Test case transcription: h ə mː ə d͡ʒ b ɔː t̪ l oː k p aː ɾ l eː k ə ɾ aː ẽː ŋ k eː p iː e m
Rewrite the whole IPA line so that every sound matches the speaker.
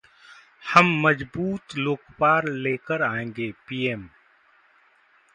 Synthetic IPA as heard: h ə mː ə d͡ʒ b uː t̪ l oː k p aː ɾ l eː k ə ɾ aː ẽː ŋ ɡ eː p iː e m